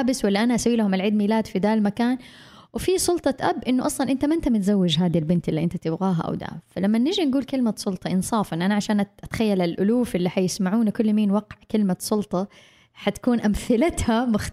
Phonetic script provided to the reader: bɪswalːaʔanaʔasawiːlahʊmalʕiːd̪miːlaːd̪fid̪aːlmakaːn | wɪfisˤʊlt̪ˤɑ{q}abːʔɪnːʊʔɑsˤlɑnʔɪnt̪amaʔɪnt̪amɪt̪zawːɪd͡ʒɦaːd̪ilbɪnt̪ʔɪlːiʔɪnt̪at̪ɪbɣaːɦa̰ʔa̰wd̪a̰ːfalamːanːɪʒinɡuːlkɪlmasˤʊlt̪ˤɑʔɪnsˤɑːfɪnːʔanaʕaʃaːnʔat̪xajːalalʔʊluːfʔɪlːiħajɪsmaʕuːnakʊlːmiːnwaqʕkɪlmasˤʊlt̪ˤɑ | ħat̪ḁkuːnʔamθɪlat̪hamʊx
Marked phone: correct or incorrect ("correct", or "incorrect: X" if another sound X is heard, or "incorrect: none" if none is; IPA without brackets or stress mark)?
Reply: incorrect: ʔ